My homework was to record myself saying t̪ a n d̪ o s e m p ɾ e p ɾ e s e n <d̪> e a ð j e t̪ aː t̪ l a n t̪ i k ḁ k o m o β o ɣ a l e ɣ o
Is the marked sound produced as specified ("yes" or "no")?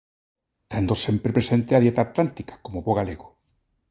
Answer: no